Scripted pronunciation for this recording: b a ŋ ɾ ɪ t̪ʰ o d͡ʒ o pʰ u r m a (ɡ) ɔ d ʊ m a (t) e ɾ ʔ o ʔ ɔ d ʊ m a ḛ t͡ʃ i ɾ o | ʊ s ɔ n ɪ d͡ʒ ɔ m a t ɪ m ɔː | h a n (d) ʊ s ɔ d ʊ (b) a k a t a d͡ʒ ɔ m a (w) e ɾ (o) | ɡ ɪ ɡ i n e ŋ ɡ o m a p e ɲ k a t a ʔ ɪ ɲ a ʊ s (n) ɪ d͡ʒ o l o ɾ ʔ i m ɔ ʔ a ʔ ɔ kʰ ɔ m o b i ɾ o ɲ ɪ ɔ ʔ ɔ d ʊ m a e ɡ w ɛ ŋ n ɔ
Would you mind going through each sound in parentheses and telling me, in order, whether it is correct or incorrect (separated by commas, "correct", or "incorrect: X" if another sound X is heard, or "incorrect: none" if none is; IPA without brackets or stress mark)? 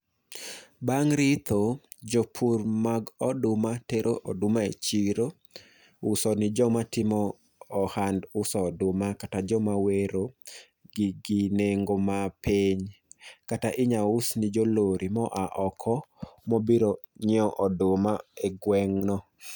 correct, correct, correct, incorrect: m, correct, correct, correct